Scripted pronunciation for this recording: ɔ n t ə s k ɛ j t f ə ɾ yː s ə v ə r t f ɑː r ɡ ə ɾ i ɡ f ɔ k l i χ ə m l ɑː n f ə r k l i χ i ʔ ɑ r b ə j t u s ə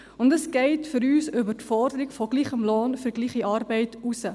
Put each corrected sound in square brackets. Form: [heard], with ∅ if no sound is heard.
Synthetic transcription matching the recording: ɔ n [d] ə s k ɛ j t f ə ɾ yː s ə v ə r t f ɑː r [d] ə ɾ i [k] f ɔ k l i χ ə m l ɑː n f ə r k l i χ i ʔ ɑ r b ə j t u s ə